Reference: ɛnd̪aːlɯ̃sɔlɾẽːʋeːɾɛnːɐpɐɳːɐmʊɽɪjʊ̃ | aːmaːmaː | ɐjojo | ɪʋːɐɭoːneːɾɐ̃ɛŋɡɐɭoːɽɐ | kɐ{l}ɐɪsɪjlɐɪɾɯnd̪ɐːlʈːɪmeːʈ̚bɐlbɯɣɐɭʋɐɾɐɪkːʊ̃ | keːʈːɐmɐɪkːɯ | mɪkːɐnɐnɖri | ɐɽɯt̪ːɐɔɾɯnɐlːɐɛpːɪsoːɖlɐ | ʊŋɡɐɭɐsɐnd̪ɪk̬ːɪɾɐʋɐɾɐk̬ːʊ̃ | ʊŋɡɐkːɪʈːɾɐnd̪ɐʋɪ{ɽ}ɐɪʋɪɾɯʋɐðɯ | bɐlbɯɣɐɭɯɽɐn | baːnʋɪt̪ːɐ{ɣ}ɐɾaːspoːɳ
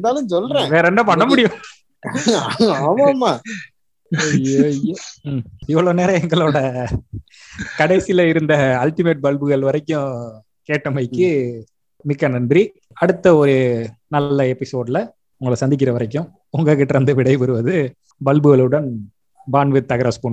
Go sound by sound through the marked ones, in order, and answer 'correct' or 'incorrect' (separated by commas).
incorrect, correct, correct